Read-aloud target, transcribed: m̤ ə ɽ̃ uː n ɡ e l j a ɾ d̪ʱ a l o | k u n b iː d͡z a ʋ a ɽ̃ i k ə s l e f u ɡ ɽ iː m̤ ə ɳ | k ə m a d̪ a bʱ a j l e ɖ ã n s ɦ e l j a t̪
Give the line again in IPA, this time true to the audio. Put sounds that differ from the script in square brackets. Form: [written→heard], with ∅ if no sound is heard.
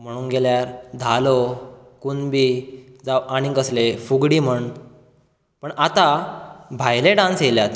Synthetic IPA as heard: m̤ ə ɽ̃ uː n ɡ e l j a ɾ d̪ʱ a l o | k u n b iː d͡z a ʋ a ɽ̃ i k ə s l e f u ɡ ɽ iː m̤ ə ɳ | [k→p] ə [m→ɳ] a [d̪→t̪] a bʱ a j l e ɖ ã n s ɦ e l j a t̪